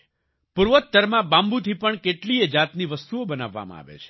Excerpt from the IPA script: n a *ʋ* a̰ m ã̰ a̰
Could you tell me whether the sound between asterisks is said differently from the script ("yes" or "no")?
yes